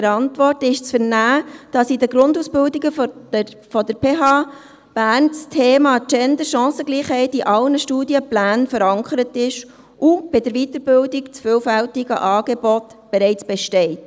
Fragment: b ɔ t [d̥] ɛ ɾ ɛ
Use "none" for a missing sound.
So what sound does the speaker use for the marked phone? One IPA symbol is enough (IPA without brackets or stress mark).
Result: b̥